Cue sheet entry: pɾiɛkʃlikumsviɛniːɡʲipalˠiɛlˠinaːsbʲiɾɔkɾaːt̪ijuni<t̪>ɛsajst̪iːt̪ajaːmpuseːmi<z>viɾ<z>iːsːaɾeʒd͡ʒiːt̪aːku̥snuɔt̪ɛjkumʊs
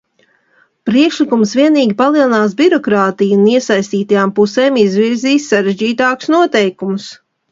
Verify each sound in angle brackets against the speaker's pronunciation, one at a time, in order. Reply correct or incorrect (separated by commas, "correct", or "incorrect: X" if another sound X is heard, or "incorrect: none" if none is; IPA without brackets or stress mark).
incorrect: none, correct, correct